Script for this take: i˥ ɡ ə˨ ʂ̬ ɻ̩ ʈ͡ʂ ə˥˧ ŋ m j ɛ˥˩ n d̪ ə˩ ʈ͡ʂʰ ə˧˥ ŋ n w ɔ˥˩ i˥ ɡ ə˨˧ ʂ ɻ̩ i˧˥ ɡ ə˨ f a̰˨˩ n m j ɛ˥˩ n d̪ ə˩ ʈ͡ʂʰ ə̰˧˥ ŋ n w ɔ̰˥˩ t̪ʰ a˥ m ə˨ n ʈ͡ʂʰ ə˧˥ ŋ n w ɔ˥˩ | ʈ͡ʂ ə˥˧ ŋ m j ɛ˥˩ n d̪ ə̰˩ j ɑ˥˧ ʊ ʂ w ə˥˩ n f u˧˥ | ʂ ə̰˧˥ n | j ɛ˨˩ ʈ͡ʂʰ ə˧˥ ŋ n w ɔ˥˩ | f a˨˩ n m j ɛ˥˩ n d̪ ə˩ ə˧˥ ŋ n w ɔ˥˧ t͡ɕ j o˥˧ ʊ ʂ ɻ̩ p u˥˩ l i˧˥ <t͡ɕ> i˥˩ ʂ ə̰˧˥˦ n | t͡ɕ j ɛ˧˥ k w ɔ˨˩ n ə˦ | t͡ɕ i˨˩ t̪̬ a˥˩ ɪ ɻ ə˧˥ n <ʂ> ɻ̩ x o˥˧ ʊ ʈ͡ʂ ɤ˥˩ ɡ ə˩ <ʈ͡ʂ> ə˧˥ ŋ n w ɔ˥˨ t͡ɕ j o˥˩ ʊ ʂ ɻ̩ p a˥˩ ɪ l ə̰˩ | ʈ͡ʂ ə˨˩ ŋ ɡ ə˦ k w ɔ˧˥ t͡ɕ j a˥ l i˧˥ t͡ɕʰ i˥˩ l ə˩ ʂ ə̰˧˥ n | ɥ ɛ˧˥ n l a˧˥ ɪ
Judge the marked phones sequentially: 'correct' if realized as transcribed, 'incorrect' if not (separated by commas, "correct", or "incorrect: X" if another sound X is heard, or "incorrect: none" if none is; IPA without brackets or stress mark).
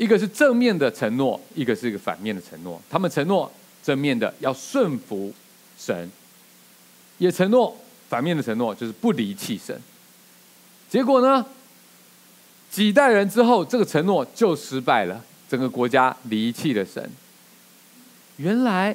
incorrect: t͡ɕʰ, incorrect: ʈ͡ʂ, incorrect: ʈ͡ʂʰ